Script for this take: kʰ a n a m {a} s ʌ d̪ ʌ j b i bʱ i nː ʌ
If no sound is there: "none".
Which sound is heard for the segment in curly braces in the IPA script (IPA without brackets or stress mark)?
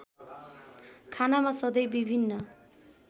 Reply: a